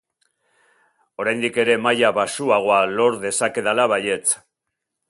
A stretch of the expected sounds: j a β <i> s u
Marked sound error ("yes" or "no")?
yes